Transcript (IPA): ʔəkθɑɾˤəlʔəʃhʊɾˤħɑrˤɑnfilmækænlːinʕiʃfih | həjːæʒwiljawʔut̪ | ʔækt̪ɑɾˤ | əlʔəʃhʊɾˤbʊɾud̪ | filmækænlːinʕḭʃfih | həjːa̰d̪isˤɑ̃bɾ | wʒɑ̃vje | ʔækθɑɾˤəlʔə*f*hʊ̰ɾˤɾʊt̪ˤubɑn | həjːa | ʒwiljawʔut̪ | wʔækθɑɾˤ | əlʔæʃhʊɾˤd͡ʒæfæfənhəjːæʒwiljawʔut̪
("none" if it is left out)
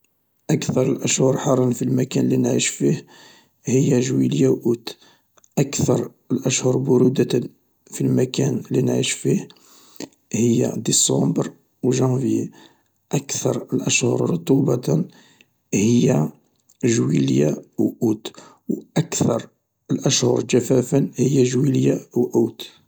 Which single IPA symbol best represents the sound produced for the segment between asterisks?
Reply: ʃ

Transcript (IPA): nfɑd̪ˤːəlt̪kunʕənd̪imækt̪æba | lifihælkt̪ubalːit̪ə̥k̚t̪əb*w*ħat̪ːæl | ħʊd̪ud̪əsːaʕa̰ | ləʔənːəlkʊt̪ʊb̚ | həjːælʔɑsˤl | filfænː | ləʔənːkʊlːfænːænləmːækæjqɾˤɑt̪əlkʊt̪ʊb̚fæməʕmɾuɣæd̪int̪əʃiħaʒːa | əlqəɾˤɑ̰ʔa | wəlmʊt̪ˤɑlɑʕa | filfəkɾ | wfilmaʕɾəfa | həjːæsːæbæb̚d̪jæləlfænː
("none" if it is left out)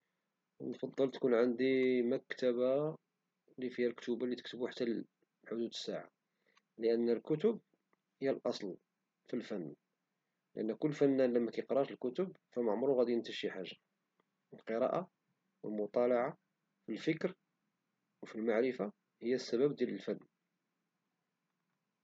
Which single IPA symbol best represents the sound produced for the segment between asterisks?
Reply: u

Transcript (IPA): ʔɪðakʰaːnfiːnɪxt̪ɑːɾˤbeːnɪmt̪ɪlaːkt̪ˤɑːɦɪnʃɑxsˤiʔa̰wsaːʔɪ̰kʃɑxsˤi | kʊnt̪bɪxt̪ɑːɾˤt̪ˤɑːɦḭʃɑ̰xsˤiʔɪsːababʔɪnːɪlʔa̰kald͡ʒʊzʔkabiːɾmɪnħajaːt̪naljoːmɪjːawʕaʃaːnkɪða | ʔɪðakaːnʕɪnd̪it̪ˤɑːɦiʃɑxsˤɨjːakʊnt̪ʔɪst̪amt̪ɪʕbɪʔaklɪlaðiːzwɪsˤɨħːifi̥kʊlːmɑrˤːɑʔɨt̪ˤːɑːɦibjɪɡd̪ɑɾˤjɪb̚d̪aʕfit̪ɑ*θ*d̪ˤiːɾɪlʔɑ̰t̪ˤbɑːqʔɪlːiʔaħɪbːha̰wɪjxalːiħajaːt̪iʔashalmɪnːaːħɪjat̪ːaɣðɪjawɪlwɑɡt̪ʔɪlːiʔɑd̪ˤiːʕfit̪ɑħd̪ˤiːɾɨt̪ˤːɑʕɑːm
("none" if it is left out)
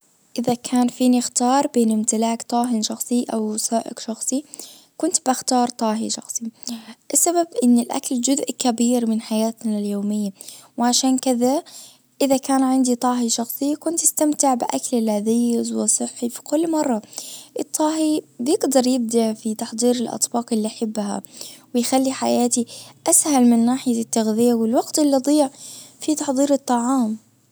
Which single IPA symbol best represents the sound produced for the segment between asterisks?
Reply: ħ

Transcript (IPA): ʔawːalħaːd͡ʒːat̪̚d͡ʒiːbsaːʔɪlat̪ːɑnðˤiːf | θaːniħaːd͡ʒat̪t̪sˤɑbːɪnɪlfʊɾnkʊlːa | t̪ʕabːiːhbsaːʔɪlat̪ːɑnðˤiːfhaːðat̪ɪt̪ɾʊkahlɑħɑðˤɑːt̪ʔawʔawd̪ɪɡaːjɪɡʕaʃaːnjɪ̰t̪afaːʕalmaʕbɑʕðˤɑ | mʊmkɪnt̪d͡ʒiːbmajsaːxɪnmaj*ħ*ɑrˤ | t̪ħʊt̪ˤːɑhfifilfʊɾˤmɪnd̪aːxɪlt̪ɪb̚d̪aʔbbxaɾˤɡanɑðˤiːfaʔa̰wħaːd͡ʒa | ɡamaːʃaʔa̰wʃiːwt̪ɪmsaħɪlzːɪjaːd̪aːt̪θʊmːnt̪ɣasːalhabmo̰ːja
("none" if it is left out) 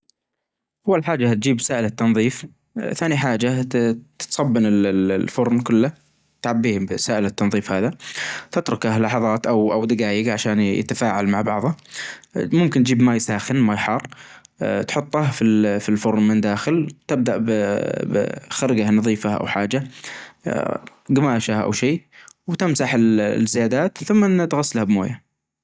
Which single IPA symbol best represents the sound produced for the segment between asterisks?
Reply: ħ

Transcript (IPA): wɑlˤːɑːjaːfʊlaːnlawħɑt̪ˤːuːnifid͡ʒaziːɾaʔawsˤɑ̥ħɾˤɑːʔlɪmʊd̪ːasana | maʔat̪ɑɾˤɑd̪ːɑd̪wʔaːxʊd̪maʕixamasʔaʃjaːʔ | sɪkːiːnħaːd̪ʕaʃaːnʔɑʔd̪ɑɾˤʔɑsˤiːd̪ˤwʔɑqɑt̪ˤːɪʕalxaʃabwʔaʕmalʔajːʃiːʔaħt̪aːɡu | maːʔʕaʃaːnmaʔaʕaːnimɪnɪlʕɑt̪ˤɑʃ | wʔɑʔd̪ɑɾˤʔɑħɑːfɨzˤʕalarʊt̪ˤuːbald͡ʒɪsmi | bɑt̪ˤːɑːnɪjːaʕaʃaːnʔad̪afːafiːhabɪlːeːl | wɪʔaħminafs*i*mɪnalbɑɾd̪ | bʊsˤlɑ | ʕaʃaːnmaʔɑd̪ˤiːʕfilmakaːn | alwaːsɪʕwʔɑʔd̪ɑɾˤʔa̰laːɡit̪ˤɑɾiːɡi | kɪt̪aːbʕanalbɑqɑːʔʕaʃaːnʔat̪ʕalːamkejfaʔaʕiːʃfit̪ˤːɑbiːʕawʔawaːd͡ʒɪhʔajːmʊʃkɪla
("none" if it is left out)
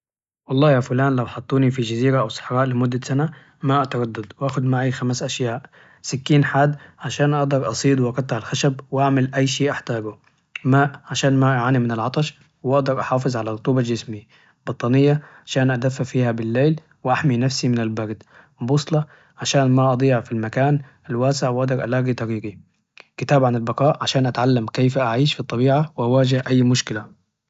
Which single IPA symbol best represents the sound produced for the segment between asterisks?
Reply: i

